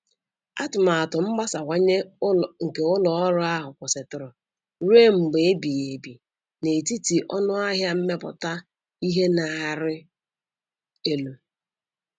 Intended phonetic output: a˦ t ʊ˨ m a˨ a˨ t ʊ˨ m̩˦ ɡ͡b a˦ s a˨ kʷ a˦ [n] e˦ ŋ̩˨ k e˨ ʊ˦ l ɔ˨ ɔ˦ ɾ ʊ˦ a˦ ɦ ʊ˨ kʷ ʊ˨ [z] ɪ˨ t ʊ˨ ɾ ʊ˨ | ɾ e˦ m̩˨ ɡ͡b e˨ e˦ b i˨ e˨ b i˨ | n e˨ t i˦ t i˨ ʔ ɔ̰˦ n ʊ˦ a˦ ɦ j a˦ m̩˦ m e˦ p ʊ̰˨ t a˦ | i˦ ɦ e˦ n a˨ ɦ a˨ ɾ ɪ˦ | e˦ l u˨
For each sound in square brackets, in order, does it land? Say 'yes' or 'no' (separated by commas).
no, no